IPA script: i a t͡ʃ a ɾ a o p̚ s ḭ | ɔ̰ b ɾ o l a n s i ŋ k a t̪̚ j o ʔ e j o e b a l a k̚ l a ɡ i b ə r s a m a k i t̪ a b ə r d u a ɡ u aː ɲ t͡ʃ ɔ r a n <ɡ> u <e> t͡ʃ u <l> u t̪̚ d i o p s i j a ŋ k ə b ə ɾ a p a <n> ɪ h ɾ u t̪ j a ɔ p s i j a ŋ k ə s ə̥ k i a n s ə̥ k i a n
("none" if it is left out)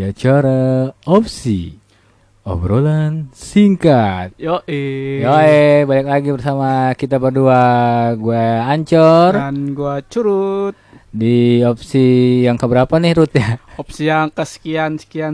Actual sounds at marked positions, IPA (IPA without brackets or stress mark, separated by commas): ɡ, a, ɾ, n